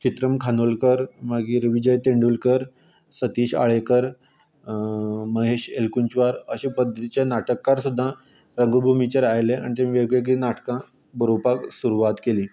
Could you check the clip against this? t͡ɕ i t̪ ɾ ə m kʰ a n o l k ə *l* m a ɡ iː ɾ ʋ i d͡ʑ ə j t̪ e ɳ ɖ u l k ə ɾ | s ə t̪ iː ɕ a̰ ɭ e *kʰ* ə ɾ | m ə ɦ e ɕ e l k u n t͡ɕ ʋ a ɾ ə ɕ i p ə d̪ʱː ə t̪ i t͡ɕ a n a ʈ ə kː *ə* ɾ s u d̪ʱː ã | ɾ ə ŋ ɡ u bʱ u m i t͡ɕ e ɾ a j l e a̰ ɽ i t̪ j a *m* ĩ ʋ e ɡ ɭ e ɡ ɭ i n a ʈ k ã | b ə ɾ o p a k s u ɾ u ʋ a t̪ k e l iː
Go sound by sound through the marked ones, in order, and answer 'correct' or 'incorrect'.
incorrect: ɾ, incorrect: k, incorrect: a, correct

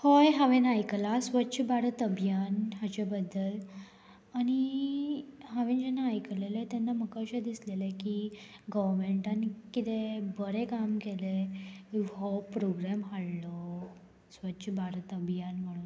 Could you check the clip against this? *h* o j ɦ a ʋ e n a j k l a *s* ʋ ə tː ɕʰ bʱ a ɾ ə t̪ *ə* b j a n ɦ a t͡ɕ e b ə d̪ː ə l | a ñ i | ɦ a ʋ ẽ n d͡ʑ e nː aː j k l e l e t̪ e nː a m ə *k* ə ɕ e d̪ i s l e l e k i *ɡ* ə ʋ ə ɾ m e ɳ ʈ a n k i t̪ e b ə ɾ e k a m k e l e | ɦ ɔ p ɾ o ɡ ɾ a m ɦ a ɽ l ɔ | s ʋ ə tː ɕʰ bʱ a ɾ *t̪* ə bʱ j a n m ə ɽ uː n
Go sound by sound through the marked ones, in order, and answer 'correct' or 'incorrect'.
correct, correct, correct, correct, correct, correct

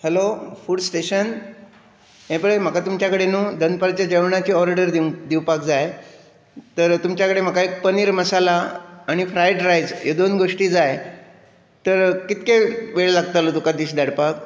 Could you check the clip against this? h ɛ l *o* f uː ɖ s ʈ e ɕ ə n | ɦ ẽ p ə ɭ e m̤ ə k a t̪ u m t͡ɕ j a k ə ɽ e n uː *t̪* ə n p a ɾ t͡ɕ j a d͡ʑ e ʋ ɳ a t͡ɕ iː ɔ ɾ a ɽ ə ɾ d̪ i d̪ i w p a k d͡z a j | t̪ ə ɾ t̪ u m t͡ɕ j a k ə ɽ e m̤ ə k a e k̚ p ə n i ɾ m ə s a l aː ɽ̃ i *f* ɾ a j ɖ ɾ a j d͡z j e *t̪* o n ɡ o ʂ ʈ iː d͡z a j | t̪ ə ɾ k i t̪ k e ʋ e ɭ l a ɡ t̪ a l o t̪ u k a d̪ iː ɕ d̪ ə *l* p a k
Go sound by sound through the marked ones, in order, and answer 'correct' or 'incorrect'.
correct, incorrect: d̪, correct, incorrect: d̪, incorrect: ɽ

